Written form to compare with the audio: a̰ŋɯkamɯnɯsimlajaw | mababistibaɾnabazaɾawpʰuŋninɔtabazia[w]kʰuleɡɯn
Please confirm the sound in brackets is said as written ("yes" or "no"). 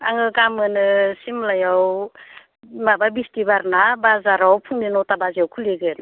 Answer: yes